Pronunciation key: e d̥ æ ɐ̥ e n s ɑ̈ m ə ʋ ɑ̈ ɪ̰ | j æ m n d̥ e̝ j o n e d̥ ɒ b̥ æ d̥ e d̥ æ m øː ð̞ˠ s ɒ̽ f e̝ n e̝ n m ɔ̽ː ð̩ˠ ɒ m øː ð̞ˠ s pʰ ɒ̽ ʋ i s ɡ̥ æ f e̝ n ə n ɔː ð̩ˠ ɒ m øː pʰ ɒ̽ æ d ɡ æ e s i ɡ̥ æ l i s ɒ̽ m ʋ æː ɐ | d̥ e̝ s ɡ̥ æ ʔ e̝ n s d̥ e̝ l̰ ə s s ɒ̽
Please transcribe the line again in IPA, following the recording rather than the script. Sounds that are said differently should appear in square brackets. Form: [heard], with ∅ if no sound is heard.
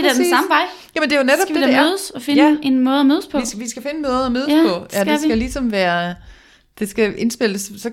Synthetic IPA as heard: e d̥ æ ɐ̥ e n s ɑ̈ m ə ʋ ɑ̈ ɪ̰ | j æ m n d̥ e̝ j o n e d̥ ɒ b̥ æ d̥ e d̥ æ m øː ð̞ˠ s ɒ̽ f e̝ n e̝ n m ɔ̽ː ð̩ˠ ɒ m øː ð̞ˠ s pʰ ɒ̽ ʋ i s ɡ̥ æ f e̝ n ə [m] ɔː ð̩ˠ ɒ m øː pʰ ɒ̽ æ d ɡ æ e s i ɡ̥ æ l i s ɒ̽ m ʋ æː ɐ | d̥ e̝ s ɡ̥ æ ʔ e̝ n s [b̥] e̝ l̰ ə s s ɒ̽